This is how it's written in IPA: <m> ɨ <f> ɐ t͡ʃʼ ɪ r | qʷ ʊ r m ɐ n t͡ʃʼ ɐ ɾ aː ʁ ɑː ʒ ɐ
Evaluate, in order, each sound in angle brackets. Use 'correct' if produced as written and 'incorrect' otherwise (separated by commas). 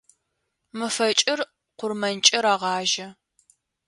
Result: correct, correct